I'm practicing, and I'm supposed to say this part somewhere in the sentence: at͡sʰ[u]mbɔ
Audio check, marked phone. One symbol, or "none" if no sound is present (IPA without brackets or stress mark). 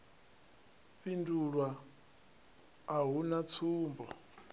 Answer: uː